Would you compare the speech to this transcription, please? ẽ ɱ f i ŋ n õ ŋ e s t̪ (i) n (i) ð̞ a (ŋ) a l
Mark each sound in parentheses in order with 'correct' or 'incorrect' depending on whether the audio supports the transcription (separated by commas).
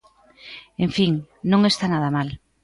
incorrect, incorrect, incorrect